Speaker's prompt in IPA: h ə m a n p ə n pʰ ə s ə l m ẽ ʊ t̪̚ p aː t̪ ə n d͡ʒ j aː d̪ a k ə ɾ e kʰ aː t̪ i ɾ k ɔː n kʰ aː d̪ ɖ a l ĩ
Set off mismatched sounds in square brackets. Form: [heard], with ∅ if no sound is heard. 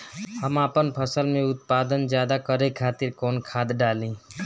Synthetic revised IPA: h ə m a [∅] p ə n pʰ ə s ə l m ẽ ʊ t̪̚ p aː [d̪] ə n d͡ʒ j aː d̪ a k ə ɾ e kʰ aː t̪ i ɾ k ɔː n kʰ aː d̪ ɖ a l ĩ